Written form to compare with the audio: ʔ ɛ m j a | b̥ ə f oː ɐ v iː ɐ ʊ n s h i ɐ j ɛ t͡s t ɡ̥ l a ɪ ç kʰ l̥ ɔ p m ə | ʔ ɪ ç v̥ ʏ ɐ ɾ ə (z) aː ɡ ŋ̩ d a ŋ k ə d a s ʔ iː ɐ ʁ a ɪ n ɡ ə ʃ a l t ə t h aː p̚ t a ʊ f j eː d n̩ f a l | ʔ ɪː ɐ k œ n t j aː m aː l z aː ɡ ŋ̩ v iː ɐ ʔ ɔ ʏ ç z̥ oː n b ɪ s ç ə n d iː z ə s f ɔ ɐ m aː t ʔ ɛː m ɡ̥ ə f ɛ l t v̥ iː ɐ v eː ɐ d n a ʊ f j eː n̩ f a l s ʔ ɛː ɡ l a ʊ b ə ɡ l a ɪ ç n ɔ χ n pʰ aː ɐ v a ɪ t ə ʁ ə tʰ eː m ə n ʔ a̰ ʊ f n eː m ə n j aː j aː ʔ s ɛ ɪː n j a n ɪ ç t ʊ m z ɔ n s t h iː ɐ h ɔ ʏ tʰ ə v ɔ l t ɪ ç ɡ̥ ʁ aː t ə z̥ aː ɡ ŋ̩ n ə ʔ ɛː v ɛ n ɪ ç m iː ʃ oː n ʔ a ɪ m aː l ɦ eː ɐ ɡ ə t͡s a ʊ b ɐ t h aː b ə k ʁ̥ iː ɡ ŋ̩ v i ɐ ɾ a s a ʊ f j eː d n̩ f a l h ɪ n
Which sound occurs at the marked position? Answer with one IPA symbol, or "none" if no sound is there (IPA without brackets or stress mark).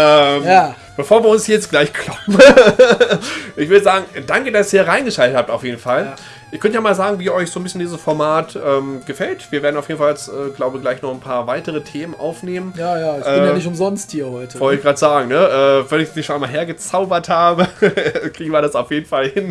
z